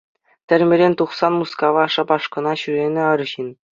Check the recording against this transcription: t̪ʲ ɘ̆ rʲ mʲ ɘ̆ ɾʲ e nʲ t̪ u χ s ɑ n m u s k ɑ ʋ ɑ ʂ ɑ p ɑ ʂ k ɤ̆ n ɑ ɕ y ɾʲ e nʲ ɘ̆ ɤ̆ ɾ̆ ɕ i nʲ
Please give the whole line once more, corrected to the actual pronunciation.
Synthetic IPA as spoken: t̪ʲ ɘ̆ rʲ mʲ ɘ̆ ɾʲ e nʲ t̪ u χ s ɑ n m u s k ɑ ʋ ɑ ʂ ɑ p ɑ ʂ k ɤ̆ n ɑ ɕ y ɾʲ e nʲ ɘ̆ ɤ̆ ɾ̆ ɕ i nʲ

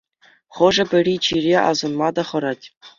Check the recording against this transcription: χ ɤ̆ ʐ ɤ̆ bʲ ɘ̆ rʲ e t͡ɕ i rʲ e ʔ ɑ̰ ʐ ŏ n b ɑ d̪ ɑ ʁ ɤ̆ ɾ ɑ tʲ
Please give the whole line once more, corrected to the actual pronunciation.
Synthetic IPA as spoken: χ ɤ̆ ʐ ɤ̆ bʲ ɘ̆ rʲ i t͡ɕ i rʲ e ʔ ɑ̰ z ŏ n m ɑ d̪ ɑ χ ɤ̆ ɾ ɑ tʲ

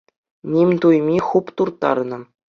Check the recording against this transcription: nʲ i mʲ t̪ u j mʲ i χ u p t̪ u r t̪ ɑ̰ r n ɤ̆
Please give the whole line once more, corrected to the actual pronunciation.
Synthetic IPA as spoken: nʲ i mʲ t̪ u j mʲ i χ u p t̪ u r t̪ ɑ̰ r n ɤ̆

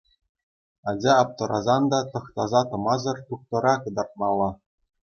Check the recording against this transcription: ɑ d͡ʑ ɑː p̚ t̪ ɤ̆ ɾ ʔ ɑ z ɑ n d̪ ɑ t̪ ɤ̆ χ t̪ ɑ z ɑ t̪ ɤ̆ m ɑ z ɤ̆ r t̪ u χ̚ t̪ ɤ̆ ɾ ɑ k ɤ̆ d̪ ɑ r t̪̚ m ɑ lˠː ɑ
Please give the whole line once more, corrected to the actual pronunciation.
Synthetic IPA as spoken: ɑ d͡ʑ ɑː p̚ t̪ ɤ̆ ɾ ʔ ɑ z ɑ n d̪ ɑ t̪ ɤ̆ χ t̪ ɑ z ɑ t̪ ɤ̆ m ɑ z ɤ̆ r t̪ u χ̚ t̪ ɤ̆ ɾ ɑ k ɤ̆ d̪ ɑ r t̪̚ m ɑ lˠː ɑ

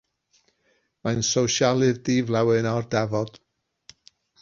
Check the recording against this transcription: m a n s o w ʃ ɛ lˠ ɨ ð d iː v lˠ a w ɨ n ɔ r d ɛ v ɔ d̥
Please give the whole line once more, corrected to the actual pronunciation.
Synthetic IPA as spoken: m a n s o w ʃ a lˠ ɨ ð d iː v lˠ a w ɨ n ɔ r d ɛ v ɔ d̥

